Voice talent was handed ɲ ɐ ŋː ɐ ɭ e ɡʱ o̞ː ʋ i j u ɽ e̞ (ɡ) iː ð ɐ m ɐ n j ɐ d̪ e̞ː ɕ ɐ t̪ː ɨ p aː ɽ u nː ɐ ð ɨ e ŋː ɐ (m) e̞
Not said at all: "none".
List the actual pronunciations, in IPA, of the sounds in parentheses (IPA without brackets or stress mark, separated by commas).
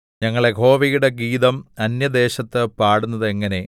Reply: ɡ, n